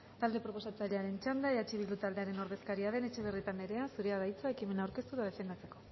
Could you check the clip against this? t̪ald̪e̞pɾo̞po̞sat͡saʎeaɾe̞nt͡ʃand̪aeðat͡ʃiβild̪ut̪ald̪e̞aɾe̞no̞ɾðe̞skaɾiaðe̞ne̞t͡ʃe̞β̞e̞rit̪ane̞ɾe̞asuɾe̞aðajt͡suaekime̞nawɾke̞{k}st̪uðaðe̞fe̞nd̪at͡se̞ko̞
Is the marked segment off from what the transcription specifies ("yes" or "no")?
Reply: yes